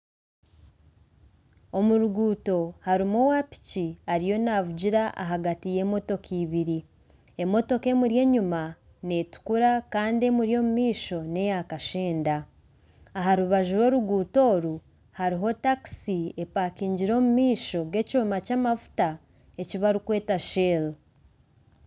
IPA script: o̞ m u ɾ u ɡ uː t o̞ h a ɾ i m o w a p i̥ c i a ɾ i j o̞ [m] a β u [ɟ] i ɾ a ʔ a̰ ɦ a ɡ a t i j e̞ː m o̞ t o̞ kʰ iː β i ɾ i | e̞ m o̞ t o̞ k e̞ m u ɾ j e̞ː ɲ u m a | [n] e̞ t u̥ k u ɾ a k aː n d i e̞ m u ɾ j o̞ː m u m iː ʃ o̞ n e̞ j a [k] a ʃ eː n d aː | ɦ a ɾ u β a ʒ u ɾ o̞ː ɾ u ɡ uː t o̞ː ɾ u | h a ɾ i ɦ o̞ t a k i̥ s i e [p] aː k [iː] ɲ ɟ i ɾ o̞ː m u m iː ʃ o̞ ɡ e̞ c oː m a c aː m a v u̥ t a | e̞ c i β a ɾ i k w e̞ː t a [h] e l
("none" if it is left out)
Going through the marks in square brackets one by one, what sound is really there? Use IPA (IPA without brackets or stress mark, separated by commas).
n, ɟ, n, k, p, iː, ʃ